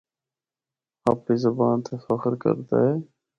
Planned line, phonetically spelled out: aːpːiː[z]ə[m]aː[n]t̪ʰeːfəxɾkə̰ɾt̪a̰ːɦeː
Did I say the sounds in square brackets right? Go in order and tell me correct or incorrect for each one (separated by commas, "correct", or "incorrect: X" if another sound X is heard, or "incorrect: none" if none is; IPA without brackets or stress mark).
correct, incorrect: b, correct